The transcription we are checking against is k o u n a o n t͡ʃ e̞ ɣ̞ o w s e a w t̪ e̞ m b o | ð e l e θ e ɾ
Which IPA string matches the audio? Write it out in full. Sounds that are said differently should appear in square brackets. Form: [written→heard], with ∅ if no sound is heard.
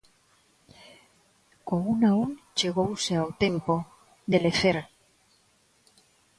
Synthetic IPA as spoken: k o u n a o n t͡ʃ e̞ ɣ̞ o w s e a w t̪ e̞ m [b→p] o | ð e l e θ e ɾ

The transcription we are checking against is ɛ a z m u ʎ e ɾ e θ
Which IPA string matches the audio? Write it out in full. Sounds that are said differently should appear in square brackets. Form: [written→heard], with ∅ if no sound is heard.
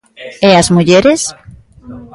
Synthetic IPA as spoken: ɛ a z m u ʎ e ɾ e [θ→s]

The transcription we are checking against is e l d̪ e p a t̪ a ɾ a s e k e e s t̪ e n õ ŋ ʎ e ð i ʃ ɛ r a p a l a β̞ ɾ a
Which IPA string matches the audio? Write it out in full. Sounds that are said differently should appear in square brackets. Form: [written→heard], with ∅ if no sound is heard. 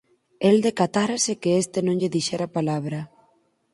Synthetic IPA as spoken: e l d̪ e [p→k] a t̪ a ɾ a s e k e e s t̪ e n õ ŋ ʎ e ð i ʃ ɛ [r→ɾ] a p a l a β̞ ɾ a

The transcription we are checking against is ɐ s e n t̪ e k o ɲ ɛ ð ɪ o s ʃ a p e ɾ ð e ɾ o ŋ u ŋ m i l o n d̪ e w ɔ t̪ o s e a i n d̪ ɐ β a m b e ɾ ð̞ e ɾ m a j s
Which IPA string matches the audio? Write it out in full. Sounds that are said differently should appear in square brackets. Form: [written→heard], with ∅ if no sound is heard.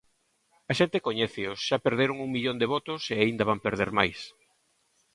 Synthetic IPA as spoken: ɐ [s→ʃ] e n t̪ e k o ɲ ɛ [ð→θ] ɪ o s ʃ a p e ɾ ð e ɾ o ŋ u ŋ m i [l→ʎ] o n d̪ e [w→β] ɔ t̪ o s e a i n d̪ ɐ β a m [b→p] e ɾ ð̞ e ɾ m a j s

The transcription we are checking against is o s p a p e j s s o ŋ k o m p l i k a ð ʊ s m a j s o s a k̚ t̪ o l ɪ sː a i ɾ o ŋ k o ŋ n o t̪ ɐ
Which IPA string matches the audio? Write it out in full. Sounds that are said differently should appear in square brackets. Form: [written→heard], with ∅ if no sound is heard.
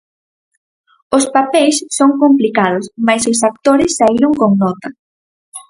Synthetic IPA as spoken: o s p a p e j s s o ŋ k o m p l i k a ð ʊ s m a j s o s a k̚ t̪ o [l→ɾ] ɪ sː a i ɾ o ŋ k o ŋ n [o→ɔ] t̪ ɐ

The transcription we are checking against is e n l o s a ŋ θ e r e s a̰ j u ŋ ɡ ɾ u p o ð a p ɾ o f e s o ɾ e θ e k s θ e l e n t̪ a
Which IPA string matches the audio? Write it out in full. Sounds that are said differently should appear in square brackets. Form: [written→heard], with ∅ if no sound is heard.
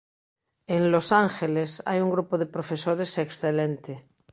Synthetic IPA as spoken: e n l o s a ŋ [θ→x] e [r→l] e s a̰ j u ŋ ɡ ɾ u p o ð [a→e] p ɾ o f e s o ɾ e [θ→s] e k s θ e l e n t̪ [a→e]

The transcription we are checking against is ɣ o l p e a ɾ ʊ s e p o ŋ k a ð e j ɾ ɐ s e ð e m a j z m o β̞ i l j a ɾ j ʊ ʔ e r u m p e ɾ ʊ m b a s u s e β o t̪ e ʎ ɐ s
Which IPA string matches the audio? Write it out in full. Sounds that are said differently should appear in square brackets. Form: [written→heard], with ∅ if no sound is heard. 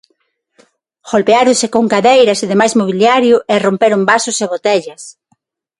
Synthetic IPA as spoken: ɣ o l p e a ɾ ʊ s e [p→k] o ŋ k a ð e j ɾ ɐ s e ð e m a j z m o β̞ i l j a ɾ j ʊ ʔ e r [u→o] m p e ɾ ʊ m b a s [u→ʊ] s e β o t̪ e ʎ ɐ s

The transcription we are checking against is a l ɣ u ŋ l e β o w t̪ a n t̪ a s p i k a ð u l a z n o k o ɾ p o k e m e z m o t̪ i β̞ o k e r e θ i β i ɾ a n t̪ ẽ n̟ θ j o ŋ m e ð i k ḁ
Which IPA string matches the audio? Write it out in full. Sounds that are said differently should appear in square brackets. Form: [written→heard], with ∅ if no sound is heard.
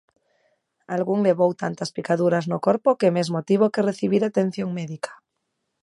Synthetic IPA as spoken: a l ɣ u ŋ l e β o w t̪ a n t̪ a s p i k a ð u [l→ɾ] a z n o k o ɾ p o k e m e z m o t̪ i β̞ o k e r e θ i β i ɾ a [n→∅] t̪ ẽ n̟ θ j o ŋ m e ð i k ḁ

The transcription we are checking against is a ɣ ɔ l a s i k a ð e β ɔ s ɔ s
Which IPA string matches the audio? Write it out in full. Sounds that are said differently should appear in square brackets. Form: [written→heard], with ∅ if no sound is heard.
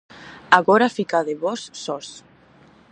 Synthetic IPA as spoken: a ɣ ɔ [l→ɾ] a [s→f] i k a ð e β ɔ [s→sː] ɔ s

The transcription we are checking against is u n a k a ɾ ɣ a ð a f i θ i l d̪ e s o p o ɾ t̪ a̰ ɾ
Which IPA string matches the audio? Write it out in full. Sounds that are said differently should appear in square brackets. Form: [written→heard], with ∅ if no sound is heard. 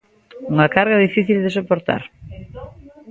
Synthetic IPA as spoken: u [n→ŋ] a k a ɾ ɣ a ð [a→i] f i θ i l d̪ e s o p o ɾ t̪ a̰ ɾ

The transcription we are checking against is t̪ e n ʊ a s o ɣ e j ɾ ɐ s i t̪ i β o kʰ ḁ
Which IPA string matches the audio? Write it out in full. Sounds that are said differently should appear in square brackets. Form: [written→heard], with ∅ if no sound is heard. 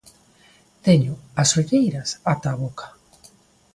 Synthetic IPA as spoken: t̪ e [n→ɲ] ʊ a s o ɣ e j ɾ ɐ s [i→a] t̪ [i→a] β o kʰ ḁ

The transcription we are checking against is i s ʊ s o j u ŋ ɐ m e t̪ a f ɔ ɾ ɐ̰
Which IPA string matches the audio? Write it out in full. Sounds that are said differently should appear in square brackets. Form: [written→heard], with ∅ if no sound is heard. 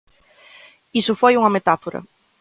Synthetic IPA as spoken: i s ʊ [s→f] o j u ŋ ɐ m e t̪ a f [ɔ→o] ɾ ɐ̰

